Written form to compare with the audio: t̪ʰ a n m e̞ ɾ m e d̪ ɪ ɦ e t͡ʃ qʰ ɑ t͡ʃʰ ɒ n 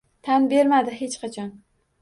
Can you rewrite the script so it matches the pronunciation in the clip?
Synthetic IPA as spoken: t̪ʰ a n b e̞ ɾ m a d̪ ɪ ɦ e t͡ʃ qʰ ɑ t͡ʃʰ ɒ n